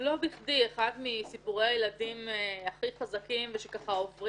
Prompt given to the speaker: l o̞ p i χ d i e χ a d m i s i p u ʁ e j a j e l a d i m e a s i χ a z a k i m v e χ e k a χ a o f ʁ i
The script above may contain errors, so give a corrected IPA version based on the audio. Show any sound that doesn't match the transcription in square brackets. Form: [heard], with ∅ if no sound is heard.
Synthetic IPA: l o̞ [b] i χ d i e χ a d m i s i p u ʁ e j a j e l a d i m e a [χ] i χ a z a k i m v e [ʃ] e k a χ a o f ʁ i